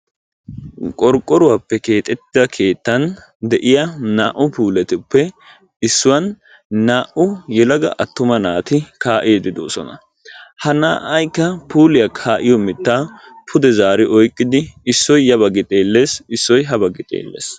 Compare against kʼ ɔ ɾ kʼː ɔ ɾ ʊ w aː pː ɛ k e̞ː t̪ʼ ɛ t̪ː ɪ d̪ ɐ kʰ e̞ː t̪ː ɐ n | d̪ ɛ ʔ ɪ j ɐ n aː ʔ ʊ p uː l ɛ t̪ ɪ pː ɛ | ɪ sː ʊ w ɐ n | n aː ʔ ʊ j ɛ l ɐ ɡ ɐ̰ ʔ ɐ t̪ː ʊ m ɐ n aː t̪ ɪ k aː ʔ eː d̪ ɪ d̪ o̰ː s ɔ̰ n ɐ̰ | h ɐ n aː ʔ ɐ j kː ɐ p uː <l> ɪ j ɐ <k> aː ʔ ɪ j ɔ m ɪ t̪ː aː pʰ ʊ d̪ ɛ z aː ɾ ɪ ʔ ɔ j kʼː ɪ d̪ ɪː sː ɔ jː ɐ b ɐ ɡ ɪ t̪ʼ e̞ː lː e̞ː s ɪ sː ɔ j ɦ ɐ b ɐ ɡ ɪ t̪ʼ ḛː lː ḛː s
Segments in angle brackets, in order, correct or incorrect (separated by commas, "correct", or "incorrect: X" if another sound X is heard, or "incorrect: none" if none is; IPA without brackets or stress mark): correct, incorrect: kʰ